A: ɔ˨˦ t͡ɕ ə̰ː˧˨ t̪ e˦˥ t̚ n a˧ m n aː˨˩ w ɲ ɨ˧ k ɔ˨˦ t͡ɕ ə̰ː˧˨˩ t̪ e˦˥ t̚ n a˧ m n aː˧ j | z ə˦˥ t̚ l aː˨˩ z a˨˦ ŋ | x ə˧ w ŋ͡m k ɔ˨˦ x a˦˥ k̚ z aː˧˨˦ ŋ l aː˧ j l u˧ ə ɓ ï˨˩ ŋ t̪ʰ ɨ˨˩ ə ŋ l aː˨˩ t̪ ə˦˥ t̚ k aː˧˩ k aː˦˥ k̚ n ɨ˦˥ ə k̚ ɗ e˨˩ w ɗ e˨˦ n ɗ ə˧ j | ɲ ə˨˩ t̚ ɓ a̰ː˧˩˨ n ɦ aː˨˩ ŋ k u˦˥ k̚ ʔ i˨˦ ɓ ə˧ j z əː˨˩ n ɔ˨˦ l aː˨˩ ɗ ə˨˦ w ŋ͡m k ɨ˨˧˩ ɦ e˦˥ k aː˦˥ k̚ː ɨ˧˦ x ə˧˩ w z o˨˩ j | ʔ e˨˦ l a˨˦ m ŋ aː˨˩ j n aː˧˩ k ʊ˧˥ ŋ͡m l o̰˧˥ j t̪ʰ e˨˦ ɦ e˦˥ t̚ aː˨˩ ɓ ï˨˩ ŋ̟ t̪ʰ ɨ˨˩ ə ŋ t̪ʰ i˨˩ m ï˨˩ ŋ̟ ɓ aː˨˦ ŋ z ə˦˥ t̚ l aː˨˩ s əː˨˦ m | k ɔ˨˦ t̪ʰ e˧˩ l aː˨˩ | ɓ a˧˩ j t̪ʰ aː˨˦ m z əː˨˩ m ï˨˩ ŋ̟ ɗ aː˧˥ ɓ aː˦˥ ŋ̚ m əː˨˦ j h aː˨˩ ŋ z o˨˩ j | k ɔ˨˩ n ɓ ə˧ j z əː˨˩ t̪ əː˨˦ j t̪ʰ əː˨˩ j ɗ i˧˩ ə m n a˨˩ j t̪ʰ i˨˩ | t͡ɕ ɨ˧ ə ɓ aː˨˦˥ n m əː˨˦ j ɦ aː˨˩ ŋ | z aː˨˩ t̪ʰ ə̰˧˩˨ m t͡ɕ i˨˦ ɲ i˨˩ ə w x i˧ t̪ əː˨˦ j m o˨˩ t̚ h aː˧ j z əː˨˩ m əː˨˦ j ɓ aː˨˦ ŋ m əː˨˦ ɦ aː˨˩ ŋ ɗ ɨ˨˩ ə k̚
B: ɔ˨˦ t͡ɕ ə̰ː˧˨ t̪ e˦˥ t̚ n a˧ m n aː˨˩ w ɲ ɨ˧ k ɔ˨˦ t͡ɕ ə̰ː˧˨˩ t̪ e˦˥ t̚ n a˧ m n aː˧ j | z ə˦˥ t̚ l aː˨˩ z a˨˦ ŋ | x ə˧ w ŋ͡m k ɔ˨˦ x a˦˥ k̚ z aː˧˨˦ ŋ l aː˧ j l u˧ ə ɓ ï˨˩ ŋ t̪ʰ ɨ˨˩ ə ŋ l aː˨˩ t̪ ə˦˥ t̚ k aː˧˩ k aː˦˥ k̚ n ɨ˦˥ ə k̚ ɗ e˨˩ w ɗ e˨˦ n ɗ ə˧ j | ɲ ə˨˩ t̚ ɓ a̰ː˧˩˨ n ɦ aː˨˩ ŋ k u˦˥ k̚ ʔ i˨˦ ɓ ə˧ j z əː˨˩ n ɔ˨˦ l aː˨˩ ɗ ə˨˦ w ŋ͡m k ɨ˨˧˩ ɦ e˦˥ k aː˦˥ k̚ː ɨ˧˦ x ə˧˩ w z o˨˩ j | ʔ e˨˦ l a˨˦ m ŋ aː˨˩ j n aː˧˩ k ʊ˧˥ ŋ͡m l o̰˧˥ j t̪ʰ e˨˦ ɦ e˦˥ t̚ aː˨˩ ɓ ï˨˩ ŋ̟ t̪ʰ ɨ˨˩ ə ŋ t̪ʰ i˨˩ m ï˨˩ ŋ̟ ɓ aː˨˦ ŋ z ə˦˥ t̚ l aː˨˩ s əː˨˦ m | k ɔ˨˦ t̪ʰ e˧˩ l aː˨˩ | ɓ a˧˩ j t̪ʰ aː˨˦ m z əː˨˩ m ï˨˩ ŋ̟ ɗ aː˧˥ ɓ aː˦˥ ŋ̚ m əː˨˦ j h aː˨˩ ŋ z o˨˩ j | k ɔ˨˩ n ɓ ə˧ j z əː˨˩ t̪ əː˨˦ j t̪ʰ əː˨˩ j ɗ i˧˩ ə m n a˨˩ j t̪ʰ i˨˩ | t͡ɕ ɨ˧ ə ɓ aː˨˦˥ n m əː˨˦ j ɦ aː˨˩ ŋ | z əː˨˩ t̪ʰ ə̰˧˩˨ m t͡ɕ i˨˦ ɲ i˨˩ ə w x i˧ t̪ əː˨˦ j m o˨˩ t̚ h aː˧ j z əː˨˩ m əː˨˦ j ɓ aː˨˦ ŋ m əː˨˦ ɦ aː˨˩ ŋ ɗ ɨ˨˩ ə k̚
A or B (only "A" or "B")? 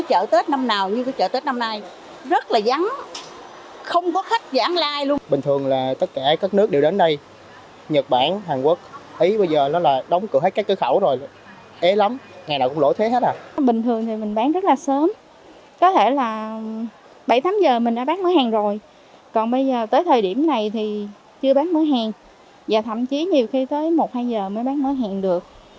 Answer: A